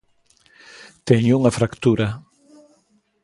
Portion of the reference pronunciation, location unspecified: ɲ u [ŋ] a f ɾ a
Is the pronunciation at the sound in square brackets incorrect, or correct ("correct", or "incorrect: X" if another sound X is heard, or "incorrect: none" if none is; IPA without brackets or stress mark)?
correct